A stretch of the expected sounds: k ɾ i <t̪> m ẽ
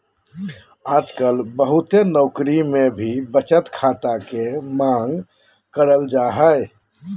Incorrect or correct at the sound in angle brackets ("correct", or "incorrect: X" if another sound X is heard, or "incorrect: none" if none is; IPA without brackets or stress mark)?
incorrect: none